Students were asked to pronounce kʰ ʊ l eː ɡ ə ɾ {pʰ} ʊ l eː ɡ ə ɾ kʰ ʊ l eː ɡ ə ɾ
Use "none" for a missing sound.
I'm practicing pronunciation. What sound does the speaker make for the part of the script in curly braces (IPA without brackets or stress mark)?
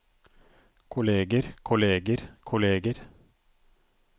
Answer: kʰ